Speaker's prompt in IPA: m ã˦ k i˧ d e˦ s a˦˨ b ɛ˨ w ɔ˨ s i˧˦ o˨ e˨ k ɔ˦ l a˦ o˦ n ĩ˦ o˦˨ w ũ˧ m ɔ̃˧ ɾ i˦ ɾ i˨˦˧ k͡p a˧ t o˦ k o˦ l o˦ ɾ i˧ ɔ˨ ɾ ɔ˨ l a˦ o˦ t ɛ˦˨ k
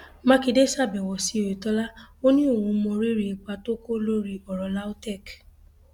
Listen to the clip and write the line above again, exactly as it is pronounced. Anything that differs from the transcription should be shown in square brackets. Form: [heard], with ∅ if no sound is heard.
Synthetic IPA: m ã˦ k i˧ d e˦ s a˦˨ b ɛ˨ w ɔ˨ s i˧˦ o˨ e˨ [t] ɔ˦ l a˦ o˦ n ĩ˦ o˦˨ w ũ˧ m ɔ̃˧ ɾ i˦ ɾ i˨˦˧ k͡p a˧ t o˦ k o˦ l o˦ ɾ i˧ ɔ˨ ɾ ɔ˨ l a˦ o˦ t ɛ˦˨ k